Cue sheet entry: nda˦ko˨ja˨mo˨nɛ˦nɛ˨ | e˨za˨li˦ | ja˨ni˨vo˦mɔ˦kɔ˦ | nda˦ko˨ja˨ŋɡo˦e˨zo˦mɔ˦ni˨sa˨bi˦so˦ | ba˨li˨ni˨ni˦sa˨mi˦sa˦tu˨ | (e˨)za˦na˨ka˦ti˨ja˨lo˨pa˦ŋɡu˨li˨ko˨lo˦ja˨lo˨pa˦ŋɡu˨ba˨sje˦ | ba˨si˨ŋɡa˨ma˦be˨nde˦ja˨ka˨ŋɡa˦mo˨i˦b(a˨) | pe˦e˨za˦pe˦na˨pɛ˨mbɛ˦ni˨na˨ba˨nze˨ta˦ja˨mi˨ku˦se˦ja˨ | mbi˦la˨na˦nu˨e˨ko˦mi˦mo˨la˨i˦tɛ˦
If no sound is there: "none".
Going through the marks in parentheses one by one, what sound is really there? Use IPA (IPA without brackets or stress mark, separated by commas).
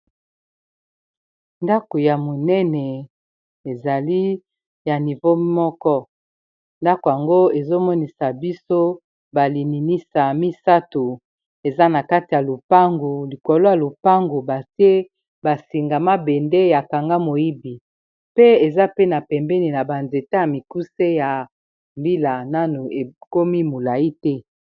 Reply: e˨, i˨